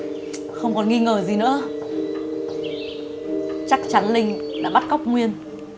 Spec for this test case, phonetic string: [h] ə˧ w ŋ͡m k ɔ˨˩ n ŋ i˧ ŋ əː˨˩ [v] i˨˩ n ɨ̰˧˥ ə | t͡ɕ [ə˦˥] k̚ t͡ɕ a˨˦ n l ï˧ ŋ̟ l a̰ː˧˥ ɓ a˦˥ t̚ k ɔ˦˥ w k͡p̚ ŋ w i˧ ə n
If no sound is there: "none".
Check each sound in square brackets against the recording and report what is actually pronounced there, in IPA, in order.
x, z, a˦˥

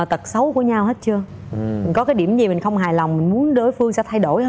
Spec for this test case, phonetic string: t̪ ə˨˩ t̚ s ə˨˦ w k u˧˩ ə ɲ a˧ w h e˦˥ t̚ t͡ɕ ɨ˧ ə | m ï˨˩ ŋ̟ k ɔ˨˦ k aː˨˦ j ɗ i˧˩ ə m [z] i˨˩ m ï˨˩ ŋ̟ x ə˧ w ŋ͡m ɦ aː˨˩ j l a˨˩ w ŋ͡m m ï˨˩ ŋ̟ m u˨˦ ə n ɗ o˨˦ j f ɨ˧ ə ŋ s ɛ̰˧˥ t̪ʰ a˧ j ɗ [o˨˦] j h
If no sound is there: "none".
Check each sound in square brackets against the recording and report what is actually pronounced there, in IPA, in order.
z, o˧˩

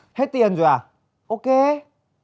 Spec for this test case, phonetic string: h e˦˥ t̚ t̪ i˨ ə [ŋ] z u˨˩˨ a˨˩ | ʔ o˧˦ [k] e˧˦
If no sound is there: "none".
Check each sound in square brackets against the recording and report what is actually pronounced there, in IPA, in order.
n, k

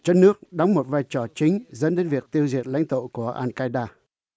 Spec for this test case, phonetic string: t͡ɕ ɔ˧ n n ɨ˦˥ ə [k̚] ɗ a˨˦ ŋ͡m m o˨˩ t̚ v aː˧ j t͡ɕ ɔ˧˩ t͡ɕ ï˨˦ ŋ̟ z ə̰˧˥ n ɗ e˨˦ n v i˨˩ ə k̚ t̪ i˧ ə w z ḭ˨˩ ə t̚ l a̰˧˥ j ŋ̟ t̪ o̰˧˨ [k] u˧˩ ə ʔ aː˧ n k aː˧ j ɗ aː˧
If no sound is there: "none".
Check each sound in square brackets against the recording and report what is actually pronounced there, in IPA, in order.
k̚, k

